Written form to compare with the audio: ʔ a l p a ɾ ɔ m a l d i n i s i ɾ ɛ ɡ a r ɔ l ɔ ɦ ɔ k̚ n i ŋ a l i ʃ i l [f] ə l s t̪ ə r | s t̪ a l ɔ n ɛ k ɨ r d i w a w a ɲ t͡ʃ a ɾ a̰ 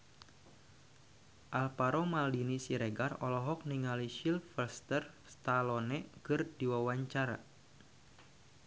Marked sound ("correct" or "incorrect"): correct